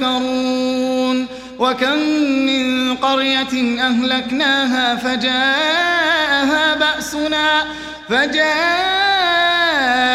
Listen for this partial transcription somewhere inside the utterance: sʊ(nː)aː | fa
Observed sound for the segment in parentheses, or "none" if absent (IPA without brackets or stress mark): n